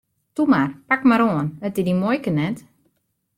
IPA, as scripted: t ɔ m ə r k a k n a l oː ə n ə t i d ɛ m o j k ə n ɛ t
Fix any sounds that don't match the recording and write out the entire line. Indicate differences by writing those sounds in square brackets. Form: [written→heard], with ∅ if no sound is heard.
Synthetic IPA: t [ɔ→u] m [ə→a] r [k→p] a k [n→m] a [l→ɾ] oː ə n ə t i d [ɛ→i] m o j k ə n ɛ t